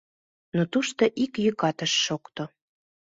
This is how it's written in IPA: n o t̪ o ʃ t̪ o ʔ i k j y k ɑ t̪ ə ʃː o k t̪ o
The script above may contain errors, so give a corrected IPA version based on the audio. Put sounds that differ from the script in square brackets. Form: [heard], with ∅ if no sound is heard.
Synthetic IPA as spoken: n o t̪ [u] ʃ t̪ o ʔ i k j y k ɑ t̪ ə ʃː o k t̪ o